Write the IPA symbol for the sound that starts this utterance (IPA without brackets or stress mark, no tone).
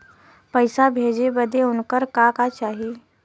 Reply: p